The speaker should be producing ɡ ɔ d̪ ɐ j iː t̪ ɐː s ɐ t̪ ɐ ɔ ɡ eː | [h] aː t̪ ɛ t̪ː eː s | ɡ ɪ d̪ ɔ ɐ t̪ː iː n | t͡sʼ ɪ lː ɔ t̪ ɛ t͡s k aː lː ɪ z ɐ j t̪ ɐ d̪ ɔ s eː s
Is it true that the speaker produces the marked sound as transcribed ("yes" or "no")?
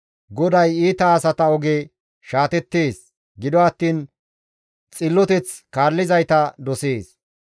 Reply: no